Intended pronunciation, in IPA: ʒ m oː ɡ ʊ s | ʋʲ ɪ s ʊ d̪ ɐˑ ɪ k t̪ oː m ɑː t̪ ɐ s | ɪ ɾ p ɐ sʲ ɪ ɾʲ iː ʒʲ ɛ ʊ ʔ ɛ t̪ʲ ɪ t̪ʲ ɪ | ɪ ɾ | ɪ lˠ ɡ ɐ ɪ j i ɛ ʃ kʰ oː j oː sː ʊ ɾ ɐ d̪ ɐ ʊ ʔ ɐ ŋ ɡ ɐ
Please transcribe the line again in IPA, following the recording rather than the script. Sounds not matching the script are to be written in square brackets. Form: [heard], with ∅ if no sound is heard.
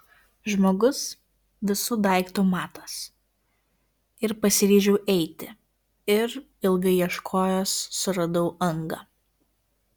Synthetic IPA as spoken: ʒ m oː ɡ ʊ s | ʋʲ ɪ s ʊ d̪ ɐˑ ɪ k t̪ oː m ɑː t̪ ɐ s | ɪ ɾ p ɐ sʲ ɪ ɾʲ iː ʒʲ ɛ ʊ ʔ ɛ [∅] ɪ t̪ʲ ɪ | ɪ ɾ | ɪ lˠ ɡ ɐ ɪ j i ɛ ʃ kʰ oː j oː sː ʊ ɾ ɐ d̪ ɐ ʊ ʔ ɐ ŋ ɡ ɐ